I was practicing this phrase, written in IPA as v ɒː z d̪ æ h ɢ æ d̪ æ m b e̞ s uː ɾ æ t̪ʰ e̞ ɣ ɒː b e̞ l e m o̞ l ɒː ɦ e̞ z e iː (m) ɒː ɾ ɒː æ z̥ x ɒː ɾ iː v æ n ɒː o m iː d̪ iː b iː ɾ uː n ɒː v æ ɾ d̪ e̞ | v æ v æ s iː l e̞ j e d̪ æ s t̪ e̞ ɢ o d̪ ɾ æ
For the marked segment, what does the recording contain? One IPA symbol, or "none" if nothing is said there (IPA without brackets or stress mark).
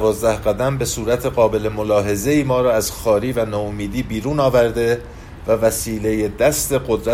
m